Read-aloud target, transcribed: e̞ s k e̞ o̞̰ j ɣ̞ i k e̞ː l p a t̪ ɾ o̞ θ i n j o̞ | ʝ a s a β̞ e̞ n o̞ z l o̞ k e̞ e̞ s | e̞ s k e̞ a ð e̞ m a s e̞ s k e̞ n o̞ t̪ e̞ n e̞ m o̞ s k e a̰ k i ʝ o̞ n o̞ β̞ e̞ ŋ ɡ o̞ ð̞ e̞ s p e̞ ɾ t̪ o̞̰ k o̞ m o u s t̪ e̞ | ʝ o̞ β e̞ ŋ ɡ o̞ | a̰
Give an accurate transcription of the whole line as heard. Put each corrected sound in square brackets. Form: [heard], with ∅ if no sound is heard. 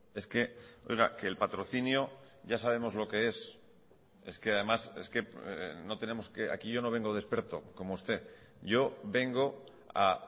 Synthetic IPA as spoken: e̞ s k e̞ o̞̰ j ɣ̞ [a] k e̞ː l p a t̪ ɾ o̞ θ i n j o̞ | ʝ a s a β̞ e̞ [m] o̞ z l o̞ k e̞ e̞ s | e̞ s k e̞ a ð e̞ m a s e̞ s k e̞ n o̞ t̪ e̞ n e̞ m o̞ s k e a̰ k i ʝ o̞ n o̞ β̞ e̞ ŋ ɡ o̞ ð̞ e̞ s p e̞ ɾ t̪ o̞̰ k o̞ m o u s t̪ e̞ | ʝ o̞ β e̞ ŋ ɡ o̞ | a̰